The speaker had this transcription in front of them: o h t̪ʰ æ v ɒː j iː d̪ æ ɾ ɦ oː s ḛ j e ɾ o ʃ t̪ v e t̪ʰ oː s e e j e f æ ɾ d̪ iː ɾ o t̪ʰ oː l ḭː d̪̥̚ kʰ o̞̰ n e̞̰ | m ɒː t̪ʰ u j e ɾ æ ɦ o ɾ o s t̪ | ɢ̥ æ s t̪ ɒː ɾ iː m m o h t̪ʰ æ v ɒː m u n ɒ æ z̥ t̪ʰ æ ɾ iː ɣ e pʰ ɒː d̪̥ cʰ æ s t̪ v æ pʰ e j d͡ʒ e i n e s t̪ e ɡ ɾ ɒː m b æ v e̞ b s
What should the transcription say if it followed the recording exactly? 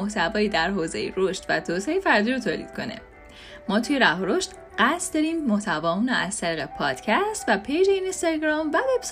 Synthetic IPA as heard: o h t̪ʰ æ v ɒː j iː d̪ æ ɾ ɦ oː z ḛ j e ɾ o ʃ t̪ v æ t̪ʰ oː s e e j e f æ ɾ d̪ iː ɾ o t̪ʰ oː l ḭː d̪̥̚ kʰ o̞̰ n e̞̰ | m ɒː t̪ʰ u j e ɾ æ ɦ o ɾ o ʃ t̪ | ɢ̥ æ s d̪ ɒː ɾ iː m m o h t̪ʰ æ v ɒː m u n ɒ æ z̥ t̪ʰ æ ɾ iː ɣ e pʰ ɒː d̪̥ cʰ æ s t̪ v æ pʰ e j d͡ʒ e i n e s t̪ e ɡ ɾ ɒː m v æ v e̞ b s